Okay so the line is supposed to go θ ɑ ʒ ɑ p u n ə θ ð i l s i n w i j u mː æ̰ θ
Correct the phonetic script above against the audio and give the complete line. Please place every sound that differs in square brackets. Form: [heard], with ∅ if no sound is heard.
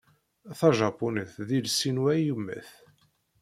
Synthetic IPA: θ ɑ ʒ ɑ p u n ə θ ð i l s i n w [æ] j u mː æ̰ θ